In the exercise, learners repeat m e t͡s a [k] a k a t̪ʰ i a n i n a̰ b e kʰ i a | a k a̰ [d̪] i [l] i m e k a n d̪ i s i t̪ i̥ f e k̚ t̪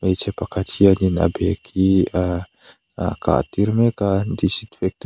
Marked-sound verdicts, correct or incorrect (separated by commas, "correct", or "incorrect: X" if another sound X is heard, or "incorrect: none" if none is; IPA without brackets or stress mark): incorrect: p, incorrect: t̪, incorrect: ɾ